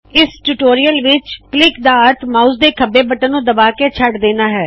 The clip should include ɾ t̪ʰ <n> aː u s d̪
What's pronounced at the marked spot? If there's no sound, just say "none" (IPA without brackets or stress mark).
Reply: m